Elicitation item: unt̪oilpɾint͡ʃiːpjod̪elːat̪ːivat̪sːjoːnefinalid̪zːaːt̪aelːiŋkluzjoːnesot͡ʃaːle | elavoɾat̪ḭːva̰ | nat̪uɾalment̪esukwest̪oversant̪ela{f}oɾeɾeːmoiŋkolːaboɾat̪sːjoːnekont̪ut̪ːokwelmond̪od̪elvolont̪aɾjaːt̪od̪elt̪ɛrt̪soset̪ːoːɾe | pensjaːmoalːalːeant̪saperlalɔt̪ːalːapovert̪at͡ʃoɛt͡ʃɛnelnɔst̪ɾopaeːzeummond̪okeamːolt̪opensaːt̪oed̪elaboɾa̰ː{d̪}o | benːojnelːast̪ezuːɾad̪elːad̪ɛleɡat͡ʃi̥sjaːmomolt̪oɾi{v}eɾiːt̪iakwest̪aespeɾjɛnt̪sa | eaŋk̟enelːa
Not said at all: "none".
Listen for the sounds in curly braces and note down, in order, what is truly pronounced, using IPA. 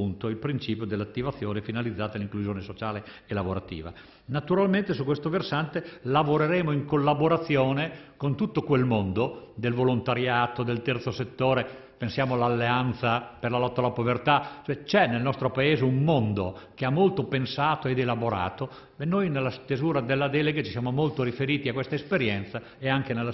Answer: v, t̪, f

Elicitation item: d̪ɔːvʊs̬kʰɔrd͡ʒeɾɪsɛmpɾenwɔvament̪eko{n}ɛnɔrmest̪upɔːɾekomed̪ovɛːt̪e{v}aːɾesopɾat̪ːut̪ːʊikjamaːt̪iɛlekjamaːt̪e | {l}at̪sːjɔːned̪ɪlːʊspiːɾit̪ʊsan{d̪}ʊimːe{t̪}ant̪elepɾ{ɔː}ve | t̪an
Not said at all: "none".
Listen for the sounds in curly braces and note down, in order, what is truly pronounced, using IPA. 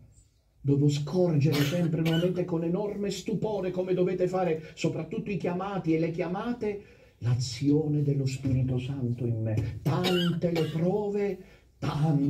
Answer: n, f, l, t̪, t̪, ɔː

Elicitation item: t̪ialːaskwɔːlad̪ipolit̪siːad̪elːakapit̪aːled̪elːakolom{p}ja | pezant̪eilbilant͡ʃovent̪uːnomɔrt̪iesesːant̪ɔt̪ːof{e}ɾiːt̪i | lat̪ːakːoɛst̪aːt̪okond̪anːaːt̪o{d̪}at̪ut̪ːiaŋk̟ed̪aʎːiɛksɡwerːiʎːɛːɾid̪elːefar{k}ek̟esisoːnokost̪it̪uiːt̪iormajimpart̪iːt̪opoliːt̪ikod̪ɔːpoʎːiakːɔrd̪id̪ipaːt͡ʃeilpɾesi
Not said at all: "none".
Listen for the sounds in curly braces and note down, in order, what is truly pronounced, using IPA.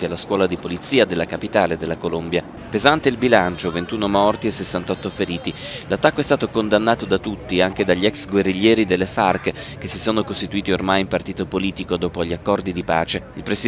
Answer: b, e, d̪, k

